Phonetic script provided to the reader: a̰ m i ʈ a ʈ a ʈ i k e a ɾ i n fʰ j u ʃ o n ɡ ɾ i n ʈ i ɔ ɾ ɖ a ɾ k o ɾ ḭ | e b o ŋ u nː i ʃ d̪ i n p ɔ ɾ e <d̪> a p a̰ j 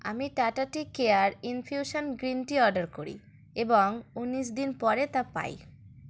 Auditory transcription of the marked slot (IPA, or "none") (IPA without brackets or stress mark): t̪